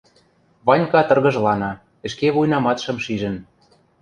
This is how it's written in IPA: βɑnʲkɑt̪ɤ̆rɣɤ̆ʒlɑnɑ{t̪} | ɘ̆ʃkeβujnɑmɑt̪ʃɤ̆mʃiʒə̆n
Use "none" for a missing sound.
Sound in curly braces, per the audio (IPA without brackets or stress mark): none